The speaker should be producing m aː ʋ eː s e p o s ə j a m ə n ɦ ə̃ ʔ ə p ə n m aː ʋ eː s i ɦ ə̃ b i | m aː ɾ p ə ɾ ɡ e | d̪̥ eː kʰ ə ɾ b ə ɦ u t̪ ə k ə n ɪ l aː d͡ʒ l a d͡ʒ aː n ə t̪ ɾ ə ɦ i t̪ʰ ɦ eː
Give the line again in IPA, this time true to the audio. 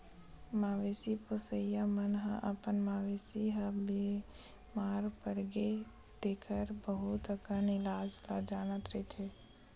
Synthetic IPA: m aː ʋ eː s i p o s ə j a m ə n ɦ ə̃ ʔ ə p ə n m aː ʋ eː s i ɦ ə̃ b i | m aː ɾ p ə ɾ ɡ e | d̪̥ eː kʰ ə ɾ b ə ɦ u t̪ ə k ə n ɪ l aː d͡ʒ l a d͡ʒ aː n ə t̪ ɾ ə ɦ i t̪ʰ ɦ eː